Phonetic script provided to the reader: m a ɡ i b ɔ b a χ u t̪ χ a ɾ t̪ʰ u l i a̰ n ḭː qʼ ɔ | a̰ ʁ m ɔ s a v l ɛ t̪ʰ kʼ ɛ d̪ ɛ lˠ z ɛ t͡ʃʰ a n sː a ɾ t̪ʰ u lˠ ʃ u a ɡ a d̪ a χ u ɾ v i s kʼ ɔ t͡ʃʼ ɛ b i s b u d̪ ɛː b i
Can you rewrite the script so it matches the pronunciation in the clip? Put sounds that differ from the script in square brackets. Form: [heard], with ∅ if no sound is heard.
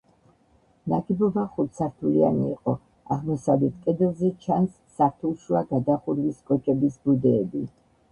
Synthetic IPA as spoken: [n] a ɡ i b ɔ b a χ u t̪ [s] a ɾ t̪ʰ u l i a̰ n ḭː qʼ ɔ | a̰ ʁ m ɔ s a v l ɛ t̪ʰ kʼ ɛ d̪ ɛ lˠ z ɛ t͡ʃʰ a n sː a ɾ t̪ʰ u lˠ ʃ u a ɡ a d̪ a χ u ɾ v i s kʼ ɔ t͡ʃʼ ɛ b i s b u d̪ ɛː b i